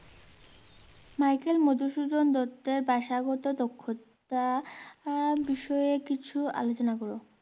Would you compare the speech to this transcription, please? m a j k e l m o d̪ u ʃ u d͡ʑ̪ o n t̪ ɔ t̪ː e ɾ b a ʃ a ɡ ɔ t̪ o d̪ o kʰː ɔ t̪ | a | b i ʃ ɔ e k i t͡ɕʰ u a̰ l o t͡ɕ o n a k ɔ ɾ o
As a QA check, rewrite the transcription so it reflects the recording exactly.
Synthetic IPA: m a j k e l m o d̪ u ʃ u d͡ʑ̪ o n d̪ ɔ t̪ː e ɾ b a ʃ a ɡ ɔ t̪ o d̪ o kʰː o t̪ | a | b i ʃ ɔ e k i t͡ɕʰ u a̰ l o t͡ɕ o n a k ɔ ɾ o